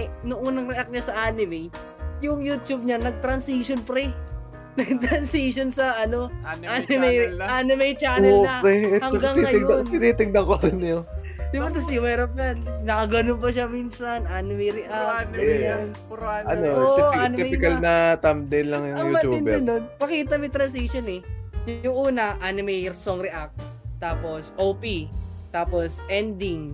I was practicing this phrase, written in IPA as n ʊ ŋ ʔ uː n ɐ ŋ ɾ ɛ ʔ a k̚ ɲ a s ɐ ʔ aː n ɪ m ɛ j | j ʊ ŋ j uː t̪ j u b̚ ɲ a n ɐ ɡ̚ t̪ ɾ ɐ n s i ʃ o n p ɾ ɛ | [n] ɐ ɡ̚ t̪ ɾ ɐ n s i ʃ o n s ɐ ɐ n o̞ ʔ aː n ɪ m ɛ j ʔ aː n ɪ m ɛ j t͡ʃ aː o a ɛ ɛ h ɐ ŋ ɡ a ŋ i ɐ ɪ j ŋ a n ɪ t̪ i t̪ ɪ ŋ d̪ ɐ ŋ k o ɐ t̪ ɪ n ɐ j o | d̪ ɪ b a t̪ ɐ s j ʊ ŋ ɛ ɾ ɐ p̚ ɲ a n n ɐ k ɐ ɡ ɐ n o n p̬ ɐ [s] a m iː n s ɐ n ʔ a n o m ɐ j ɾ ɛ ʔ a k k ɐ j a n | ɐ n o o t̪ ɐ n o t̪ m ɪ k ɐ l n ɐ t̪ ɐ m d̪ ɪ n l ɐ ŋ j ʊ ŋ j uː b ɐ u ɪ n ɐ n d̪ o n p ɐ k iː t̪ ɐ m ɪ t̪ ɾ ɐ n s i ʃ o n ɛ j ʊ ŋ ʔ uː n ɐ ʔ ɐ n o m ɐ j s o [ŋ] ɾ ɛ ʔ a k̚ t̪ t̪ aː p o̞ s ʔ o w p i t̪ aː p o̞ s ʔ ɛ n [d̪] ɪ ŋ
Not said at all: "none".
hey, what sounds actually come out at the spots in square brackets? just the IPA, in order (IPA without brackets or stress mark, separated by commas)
n, ʃ, ŋ, d̪